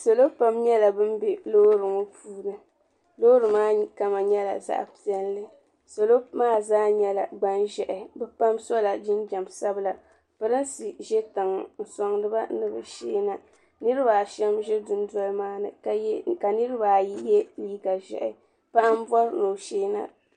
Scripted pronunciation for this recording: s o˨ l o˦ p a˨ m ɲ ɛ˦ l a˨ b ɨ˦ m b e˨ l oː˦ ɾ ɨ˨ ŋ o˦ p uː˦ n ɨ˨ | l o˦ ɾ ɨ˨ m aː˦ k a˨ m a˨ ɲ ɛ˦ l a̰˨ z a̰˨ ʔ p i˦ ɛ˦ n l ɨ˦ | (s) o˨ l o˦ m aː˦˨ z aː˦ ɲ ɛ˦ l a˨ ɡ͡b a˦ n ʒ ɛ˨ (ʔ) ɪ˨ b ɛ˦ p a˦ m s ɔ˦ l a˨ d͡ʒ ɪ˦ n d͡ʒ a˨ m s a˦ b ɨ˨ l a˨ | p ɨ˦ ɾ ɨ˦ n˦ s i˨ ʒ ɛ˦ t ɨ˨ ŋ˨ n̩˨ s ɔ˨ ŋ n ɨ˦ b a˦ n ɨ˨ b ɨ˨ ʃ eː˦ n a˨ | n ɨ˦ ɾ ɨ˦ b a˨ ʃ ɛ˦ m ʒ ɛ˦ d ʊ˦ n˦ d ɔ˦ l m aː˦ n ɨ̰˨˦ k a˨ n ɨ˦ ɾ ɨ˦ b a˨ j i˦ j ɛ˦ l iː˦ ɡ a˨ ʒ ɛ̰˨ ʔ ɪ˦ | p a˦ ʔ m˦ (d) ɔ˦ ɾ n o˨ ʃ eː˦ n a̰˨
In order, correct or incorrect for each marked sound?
correct, correct, incorrect: b

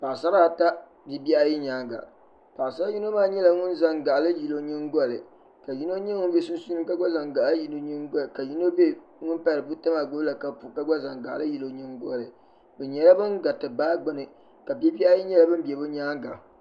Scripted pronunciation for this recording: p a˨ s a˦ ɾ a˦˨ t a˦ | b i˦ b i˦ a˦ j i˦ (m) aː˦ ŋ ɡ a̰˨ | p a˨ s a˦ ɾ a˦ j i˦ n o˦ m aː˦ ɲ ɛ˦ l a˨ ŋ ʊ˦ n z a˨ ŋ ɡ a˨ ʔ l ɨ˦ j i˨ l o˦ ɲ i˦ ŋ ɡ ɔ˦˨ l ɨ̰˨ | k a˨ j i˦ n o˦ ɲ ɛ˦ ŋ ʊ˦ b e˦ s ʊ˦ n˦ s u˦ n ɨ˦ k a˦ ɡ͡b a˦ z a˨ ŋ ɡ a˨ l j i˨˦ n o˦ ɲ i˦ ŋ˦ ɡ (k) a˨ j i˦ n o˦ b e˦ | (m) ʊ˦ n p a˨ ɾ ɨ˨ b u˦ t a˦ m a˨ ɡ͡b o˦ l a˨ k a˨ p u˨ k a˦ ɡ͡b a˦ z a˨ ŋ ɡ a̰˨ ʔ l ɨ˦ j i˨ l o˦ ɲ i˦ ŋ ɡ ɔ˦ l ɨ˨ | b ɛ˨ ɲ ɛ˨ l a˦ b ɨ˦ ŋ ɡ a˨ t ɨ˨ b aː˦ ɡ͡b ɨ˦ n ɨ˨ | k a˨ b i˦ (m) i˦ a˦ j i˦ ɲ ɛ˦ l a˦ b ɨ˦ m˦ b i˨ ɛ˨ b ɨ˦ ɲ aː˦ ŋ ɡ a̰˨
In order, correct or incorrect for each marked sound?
incorrect: ɲ, correct, incorrect: ŋ, incorrect: b

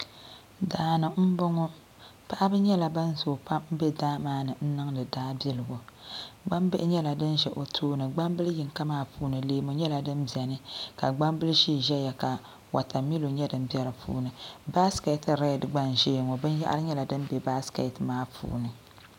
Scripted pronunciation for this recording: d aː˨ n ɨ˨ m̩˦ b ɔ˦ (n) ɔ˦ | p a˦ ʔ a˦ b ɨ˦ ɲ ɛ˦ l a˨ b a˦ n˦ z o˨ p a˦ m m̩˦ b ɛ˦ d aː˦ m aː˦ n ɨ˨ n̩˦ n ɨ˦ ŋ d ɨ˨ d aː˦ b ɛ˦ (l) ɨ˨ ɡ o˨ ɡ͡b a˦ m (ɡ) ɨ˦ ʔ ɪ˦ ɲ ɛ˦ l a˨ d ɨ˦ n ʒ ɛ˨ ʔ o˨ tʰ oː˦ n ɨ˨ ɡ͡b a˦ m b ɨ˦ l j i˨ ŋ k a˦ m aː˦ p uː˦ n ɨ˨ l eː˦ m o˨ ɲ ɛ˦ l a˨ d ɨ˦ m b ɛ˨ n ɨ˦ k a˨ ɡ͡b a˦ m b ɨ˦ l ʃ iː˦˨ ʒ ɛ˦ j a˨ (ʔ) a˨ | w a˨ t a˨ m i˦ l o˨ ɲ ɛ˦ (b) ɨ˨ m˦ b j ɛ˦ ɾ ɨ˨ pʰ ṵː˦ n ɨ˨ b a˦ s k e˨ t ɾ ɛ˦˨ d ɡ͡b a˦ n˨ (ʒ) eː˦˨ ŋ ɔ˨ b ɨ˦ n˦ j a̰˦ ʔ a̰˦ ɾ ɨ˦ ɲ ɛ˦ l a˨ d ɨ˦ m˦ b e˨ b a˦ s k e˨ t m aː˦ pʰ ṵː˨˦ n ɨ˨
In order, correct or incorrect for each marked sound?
incorrect: ŋ, correct, incorrect: b, incorrect: k, incorrect: d, correct

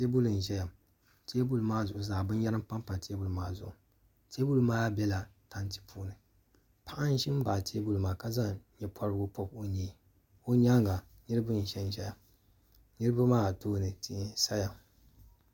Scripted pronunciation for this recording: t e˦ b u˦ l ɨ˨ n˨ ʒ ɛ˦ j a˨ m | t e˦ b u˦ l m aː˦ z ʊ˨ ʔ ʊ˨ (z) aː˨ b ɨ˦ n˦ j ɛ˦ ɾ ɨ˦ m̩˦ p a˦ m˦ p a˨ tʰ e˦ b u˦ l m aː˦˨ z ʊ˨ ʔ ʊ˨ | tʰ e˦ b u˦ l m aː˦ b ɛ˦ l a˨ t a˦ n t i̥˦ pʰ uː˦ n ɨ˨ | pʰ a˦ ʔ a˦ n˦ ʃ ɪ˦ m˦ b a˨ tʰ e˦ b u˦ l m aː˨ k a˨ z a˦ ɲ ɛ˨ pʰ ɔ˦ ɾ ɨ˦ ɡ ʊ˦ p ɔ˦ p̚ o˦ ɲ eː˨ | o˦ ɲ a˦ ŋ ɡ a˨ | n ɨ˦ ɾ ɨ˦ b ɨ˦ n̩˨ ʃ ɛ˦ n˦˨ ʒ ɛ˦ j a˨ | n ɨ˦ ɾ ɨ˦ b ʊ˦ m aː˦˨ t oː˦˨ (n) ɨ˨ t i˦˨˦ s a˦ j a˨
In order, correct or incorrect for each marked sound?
correct, correct

